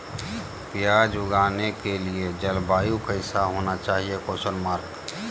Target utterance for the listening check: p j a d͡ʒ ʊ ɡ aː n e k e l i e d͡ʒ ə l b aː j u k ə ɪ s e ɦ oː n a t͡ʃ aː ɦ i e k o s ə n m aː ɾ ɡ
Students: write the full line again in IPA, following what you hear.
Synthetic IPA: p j a d͡ʒ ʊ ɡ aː n e k e l i e d͡ʒ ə l b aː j u k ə ɪ s a ɦ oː n a t͡ʃ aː ɦ i e k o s ə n m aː ɾ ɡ